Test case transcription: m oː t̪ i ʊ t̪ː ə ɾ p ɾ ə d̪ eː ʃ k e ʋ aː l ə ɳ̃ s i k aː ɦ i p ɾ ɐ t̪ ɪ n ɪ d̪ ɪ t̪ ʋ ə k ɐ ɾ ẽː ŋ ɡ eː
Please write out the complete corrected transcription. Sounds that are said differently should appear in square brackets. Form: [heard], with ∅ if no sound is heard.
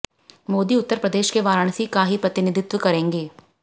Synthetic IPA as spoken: m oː [d̪] i ʊ t̪ː ə ɾ p ɾ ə d̪ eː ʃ k e ʋ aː [ɾ] ə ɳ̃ s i k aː ɦ i p ɾ ɐ t̪ ɪ n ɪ d̪ ɪ t̪ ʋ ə k ɐ ɾ ẽː ŋ ɡ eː